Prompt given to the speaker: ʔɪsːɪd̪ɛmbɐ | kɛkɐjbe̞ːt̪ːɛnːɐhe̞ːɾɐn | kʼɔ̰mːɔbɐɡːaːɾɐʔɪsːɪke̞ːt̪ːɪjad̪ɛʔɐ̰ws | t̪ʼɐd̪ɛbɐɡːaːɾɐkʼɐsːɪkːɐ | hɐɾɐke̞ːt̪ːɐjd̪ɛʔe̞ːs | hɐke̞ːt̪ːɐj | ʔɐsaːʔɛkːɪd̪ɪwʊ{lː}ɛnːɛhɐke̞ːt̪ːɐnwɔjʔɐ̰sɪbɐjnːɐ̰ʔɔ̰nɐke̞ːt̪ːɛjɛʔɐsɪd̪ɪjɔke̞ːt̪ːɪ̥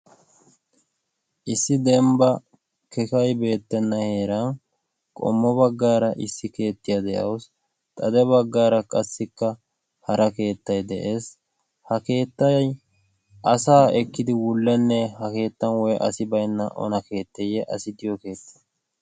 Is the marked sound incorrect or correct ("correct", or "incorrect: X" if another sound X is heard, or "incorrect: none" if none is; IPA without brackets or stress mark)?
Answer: correct